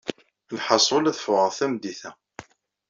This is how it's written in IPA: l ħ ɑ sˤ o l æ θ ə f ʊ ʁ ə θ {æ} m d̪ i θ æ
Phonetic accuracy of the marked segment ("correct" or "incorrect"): correct